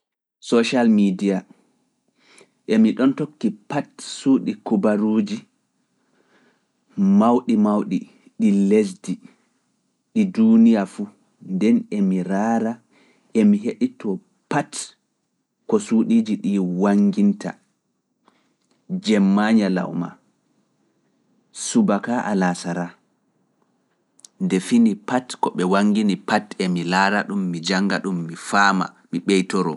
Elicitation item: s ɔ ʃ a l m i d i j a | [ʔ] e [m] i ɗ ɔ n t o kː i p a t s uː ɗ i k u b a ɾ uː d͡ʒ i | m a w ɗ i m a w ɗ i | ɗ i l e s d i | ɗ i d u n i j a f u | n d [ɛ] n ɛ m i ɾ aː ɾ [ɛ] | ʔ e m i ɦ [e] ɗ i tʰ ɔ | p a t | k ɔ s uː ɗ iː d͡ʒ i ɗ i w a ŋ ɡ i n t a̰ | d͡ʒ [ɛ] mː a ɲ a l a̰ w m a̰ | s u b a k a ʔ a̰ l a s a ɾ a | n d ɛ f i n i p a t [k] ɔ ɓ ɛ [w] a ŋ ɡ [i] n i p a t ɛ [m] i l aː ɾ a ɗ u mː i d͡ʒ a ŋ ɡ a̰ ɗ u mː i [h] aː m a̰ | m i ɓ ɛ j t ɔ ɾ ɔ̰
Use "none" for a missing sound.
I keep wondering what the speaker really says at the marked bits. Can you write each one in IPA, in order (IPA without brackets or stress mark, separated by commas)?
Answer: ʔ, m, ɛ, a, e, ɛ, k, w, i, m, f